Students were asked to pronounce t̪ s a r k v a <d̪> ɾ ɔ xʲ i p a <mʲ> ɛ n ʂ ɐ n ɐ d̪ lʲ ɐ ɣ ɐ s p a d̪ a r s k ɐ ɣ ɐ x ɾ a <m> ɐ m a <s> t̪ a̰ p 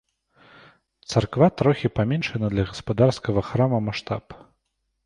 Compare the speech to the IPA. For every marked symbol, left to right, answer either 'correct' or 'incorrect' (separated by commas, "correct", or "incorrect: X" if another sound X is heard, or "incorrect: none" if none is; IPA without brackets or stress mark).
incorrect: t̪, correct, correct, incorrect: ʂ